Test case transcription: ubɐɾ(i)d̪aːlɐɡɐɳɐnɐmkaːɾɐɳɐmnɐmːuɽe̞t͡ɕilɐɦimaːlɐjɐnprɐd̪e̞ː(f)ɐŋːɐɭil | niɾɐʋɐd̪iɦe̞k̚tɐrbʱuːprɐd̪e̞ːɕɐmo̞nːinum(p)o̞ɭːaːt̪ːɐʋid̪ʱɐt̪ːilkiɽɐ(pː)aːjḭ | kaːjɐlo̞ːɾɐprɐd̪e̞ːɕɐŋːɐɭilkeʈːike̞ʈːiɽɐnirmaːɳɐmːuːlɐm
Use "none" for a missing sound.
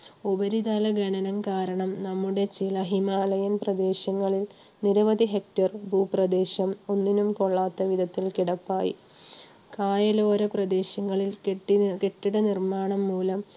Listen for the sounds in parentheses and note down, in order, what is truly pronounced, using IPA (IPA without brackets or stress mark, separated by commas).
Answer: i, ɕ, k, pː